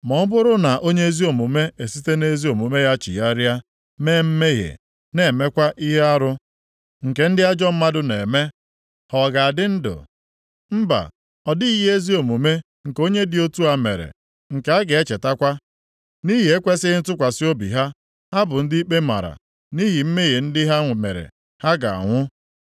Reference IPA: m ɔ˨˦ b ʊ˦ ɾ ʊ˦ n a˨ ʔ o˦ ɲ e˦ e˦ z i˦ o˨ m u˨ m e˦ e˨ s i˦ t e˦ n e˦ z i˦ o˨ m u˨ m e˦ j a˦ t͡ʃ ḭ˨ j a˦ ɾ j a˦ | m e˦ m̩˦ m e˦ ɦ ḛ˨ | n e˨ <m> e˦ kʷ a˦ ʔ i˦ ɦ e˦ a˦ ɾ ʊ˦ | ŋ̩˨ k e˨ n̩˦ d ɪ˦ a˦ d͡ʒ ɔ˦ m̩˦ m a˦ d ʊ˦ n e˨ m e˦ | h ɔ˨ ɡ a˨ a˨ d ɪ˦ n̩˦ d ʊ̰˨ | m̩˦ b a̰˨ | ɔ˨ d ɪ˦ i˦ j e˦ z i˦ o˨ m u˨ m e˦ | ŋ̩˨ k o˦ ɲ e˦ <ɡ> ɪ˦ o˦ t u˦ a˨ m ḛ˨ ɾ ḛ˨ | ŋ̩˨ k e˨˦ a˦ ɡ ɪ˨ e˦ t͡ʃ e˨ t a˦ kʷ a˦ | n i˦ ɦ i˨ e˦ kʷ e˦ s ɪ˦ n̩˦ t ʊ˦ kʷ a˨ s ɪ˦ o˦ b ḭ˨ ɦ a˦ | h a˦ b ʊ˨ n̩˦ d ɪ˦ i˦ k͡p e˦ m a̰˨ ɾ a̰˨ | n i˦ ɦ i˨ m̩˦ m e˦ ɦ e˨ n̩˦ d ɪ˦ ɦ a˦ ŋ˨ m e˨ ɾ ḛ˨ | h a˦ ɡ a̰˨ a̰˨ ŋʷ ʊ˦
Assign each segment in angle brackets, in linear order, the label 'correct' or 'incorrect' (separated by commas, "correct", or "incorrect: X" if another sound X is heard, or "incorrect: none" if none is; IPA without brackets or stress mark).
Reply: correct, incorrect: d